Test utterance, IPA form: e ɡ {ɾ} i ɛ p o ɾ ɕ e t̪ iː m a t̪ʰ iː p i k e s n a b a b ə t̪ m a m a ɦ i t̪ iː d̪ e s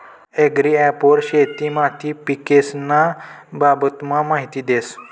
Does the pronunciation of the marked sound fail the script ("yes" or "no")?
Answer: no